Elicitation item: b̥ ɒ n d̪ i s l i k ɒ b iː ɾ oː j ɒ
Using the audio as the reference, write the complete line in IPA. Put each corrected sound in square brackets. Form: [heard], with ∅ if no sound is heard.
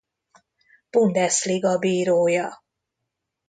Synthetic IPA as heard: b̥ [u] n d̪ [ɛ] s l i [ɡ] ɒ b iː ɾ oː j ɒ